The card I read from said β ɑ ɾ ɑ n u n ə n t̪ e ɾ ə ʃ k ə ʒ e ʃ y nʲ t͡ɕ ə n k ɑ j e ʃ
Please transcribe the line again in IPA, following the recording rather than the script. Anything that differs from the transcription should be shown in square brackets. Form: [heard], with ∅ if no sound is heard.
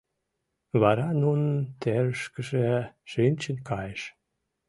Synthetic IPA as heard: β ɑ ɾ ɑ n u n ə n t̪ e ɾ ə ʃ k ə ʒ e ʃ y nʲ t͡ɕ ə n k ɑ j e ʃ

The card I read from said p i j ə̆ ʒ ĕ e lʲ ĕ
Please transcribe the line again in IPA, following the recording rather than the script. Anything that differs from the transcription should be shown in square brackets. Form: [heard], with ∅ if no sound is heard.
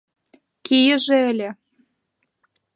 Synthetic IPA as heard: [k] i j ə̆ ʒ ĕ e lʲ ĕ

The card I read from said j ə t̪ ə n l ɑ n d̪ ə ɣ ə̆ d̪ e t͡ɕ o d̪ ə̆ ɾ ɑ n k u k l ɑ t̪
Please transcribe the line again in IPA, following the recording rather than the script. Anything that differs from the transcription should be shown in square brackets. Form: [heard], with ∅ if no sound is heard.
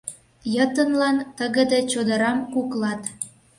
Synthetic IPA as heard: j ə t̪ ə n l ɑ n [t̪] ə ɣ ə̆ d̪ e t͡ɕ o d̪ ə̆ ɾ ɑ [m] k u k l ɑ t̪

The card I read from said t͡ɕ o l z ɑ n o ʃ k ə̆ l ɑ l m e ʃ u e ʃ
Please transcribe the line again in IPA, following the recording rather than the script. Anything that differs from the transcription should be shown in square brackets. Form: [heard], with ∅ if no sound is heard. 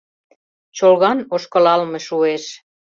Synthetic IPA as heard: t͡ɕ o l [ɣ] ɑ n o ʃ k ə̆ l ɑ l m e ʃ u e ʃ

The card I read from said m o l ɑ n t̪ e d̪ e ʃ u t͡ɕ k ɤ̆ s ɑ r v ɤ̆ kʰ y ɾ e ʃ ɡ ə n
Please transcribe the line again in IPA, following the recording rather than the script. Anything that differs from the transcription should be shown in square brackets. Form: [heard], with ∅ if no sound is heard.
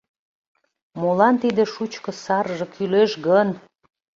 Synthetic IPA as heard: m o l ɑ n t̪ [i] d̪ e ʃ u t͡ɕ k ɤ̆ s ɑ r [ʒ] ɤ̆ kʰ y [l] e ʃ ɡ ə n

